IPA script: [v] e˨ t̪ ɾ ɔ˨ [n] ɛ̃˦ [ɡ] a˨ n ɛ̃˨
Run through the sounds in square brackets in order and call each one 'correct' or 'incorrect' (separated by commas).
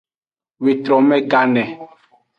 incorrect, incorrect, correct